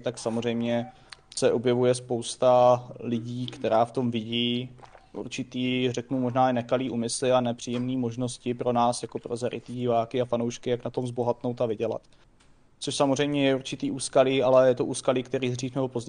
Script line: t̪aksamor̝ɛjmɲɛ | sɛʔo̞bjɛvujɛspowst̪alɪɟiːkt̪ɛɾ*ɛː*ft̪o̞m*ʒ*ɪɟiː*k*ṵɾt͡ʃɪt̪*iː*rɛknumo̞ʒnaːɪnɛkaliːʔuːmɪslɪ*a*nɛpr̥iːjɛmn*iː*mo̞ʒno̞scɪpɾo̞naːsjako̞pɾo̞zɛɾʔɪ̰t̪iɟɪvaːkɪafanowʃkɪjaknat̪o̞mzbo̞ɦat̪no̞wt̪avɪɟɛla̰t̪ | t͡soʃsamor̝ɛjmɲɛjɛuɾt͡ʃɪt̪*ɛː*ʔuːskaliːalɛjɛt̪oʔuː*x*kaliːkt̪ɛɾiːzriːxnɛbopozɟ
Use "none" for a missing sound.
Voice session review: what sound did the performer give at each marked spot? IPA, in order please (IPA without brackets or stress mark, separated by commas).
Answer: aː, v, ʔ, iː, a, iː, iː, s